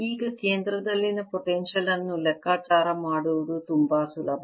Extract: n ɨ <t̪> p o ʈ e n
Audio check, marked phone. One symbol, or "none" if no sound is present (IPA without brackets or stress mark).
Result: none